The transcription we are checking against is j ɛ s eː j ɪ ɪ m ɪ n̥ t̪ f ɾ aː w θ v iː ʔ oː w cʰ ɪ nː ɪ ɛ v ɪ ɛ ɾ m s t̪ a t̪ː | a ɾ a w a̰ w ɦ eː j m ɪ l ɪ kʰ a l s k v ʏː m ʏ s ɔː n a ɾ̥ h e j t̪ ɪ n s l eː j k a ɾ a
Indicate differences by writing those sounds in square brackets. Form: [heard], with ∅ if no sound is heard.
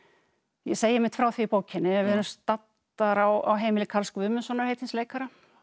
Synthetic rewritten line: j ɛ s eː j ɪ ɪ m ɪ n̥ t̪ f ɾ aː w θ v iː [p] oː w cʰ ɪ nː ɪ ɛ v ɪ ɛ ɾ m s t̪ a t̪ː | a ɾ a w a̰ w ɦ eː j m ɪ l ɪ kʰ a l s k v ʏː m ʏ s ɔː n a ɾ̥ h e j t̪ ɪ n s l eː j k a ɾ a